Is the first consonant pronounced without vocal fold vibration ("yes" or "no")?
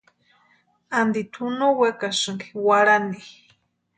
no